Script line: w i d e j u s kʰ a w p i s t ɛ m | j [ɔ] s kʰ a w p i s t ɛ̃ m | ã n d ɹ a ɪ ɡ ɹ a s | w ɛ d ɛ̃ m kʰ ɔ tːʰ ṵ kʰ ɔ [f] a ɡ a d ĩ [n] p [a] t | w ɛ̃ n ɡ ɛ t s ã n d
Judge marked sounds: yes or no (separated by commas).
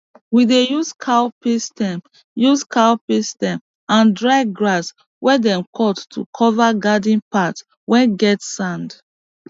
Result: no, no, yes, yes